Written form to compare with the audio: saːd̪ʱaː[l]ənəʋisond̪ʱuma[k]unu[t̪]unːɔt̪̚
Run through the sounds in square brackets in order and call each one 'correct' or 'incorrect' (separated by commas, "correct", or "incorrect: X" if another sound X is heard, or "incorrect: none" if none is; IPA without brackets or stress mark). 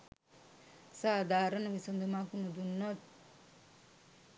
incorrect: ɾ, correct, incorrect: d̪